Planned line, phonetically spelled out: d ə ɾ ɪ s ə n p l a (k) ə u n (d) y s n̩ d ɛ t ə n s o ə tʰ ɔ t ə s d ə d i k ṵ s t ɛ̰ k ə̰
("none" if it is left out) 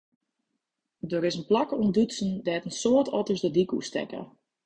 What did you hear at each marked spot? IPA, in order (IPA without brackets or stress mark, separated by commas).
k, d